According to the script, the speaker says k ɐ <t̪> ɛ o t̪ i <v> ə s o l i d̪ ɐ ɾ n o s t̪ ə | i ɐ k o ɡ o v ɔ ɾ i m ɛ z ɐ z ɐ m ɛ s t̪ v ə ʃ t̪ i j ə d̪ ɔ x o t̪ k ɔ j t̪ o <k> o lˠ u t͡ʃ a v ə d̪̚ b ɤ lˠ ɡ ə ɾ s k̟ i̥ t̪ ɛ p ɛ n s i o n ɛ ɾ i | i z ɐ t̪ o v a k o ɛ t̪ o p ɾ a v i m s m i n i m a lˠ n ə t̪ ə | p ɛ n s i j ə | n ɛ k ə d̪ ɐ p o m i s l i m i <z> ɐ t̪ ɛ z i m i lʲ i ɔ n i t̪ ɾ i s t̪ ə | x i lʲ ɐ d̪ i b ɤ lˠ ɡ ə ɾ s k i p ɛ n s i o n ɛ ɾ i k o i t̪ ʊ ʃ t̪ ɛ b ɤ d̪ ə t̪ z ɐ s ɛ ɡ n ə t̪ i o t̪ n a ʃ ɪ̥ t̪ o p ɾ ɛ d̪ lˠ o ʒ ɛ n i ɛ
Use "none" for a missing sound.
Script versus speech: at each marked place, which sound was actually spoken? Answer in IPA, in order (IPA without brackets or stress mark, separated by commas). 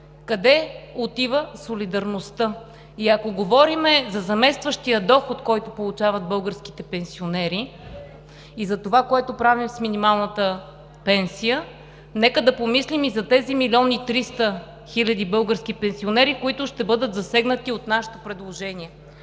d̪, v, p, z